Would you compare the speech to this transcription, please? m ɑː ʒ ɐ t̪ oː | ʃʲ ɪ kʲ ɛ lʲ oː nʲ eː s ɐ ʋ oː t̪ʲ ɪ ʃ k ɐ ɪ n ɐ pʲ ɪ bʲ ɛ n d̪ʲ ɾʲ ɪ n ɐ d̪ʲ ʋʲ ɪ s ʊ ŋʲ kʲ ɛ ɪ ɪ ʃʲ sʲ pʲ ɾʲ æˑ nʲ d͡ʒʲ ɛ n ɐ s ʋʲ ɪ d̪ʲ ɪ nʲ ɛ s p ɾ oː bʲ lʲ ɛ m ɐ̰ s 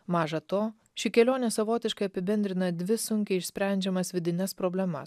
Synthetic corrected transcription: m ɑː ʒ ɐ t̪ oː | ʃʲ ɪ kʲ ɛ lʲ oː nʲ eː s ɐ ʋ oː t̪ʲ ɪ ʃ k ɐ ɪ ɐ pʲ ɪ bʲ ɛ n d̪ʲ ɾʲ ɪ n ɐ d̪ʲ ʋʲ ɪ s ʊ ŋʲ kʲ ɛ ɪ ɪ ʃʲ sʲ pʲ ɾʲ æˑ nʲ d͡ʒʲ ɛ m ɐ s ʋʲ ɪ d̪ʲ ɪ nʲ ɛ s p ɾ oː bʲ lʲ ɛ m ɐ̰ s